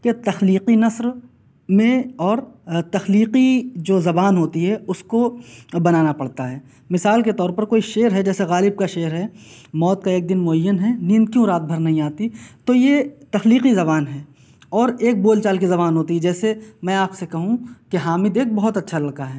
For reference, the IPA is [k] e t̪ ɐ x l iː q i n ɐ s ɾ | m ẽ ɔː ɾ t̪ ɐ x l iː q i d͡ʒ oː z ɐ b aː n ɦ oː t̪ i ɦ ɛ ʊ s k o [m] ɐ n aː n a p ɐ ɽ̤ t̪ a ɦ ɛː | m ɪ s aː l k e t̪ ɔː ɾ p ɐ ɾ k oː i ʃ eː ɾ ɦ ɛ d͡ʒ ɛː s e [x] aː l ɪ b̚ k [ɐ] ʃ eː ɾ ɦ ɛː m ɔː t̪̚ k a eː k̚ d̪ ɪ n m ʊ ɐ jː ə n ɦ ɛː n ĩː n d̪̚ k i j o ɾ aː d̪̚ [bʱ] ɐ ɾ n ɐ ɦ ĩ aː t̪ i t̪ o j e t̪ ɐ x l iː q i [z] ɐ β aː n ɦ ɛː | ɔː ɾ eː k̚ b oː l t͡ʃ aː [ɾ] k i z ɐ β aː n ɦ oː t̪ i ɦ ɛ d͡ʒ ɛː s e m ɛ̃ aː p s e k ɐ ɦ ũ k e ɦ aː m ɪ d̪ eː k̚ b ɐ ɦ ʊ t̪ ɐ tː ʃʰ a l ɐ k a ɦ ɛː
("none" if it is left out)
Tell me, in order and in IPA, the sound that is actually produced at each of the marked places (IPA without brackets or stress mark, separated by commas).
k, b, ɣ, a, bʱ, z, l